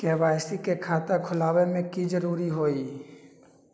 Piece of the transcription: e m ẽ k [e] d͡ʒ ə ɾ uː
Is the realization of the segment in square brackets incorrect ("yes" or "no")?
yes